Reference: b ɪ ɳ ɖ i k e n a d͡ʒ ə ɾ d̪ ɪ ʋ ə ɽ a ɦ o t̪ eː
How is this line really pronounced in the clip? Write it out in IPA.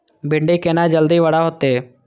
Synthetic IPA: b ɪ ɳ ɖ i k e n a d͡ʒ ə l d̪ i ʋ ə ɽ a ɦ o t̪ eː